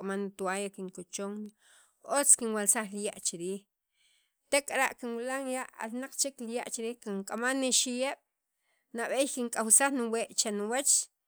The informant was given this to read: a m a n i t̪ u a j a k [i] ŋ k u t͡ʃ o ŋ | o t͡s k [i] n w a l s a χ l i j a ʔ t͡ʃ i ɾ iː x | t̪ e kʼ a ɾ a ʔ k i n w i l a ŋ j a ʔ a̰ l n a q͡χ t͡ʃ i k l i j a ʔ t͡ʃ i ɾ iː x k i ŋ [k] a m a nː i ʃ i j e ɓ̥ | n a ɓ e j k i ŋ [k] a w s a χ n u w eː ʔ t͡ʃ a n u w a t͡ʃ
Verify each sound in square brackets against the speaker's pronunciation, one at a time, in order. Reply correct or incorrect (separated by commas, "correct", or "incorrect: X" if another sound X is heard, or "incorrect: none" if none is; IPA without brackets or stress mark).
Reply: correct, correct, incorrect: kʼ, incorrect: kʼ